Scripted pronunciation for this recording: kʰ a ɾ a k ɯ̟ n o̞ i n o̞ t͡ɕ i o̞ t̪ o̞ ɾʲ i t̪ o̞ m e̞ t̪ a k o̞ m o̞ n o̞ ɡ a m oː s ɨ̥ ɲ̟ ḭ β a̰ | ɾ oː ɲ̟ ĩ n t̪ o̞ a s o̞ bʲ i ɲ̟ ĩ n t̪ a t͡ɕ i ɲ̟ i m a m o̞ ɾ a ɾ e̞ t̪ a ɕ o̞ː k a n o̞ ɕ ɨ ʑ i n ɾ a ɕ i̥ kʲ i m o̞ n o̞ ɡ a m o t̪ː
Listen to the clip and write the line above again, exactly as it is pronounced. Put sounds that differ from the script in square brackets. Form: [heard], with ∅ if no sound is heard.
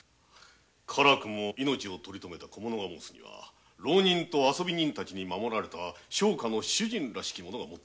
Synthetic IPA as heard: kʰ a ɾ a k ɯ̟ [m] o̞ i n o̞ t͡ɕ i o̞ t̪ o̞ ɾʲ i t̪ o̞ m e̞ t̪ a k o̞ m o̞ n o̞ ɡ a m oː s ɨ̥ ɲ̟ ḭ β a̰ | ɾ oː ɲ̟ ĩ n t̪ o̞ a s o̞ bʲ i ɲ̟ ĩ n t̪ a t͡ɕ i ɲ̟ i m a m o̞ ɾ a ɾ e̞ t̪ a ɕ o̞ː k a n o̞ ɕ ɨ ʑ [ĩ] n ɾ a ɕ i̥ kʲ i m o̞ n o̞ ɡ a m o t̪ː